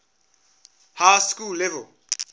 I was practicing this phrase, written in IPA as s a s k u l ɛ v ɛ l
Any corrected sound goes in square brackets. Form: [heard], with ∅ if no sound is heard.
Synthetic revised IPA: [h] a s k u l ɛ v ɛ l